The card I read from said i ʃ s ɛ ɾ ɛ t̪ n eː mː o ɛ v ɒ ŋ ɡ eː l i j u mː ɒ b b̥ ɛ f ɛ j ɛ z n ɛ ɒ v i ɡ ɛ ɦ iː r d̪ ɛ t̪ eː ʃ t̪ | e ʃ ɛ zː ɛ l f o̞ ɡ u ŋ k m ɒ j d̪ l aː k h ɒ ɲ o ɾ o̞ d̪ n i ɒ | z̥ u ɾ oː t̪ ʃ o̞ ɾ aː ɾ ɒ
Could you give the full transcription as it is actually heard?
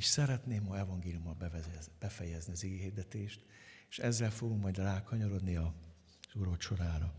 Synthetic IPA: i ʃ s ɛ ɾ ɛ t̪ n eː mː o ɛ v ɒ ŋ ɡ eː l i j u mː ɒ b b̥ ɛ f ɛ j ɛ z n i ɒ z i ɡ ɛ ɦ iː r d̪ ɛ t̪ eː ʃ t̪ | e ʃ ɛ zː ɛ l f o̞ ɡ u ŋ k m ɒ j d̪ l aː k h ɒ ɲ o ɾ o̞ d̪ n i ɒ | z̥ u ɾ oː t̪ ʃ o̞ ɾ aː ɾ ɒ